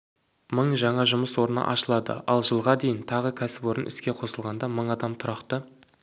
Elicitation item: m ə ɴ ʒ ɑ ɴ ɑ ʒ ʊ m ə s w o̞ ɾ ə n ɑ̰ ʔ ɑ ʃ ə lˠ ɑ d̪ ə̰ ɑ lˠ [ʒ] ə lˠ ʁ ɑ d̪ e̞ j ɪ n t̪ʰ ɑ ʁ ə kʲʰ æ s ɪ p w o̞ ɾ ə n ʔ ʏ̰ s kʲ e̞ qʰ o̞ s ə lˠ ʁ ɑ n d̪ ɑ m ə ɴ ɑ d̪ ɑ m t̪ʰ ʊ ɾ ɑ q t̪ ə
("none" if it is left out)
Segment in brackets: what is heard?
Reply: ʒ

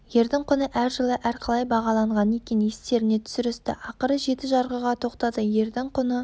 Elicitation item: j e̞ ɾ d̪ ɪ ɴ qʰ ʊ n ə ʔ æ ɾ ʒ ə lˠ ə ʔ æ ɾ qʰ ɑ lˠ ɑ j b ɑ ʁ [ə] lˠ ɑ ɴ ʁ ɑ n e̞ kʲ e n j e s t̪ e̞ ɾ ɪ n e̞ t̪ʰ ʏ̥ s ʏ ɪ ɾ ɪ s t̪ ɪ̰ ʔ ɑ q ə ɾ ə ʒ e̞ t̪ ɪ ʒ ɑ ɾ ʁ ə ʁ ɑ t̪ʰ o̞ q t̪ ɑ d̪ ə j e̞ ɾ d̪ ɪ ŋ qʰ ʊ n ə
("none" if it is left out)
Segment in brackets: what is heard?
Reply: ɑ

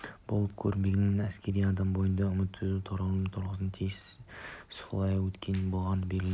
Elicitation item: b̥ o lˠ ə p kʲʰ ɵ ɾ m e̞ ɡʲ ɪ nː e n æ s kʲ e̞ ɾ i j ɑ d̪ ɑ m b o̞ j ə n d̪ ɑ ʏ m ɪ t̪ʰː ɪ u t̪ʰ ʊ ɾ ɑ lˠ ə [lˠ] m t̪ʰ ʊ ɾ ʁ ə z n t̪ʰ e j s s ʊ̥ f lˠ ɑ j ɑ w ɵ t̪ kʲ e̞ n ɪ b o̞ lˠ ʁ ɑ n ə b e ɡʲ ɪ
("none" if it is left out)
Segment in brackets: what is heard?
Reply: none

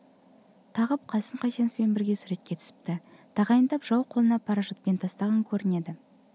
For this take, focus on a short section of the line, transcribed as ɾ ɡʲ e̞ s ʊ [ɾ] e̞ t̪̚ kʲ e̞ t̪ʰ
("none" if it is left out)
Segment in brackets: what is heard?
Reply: ɾ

